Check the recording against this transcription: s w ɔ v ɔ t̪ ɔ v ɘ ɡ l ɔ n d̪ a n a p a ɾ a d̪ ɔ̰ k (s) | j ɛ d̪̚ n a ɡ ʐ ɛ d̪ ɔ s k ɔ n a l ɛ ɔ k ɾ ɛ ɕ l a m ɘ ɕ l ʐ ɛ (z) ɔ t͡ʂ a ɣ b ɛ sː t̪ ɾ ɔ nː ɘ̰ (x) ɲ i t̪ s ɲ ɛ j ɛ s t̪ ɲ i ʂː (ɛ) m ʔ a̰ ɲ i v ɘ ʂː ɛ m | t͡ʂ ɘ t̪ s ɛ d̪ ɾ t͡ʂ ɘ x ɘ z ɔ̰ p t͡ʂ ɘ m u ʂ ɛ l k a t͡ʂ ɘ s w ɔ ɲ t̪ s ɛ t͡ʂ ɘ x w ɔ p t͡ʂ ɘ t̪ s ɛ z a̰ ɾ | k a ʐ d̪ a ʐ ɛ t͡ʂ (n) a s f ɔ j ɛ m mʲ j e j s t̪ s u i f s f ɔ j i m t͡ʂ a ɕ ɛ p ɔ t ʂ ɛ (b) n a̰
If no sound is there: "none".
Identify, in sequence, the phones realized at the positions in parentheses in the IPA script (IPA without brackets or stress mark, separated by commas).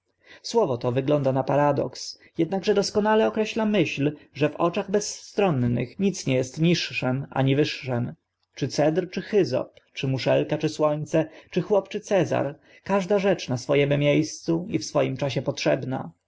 s, v, x, ɛ, n, b